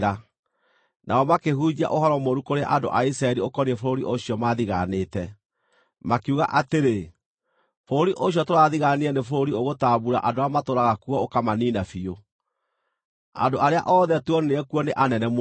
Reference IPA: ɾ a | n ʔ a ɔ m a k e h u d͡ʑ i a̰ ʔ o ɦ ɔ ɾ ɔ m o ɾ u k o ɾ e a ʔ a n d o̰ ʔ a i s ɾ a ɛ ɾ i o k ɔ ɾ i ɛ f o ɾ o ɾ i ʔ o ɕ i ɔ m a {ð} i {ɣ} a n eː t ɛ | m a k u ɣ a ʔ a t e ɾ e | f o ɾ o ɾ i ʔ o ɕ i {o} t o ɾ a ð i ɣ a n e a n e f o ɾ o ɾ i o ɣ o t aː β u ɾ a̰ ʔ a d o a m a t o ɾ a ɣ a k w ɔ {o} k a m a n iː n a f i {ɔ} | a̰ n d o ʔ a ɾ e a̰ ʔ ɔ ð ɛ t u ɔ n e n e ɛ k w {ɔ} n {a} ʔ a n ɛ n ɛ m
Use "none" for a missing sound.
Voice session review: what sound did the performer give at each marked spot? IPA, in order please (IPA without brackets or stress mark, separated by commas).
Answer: ð, ɣ, ɔ, o, o, ɔ, e